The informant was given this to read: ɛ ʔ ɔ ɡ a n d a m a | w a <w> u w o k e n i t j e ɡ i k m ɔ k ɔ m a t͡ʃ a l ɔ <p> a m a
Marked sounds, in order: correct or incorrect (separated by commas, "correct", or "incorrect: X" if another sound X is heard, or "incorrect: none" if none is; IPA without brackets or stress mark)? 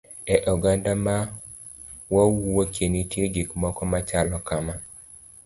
correct, incorrect: k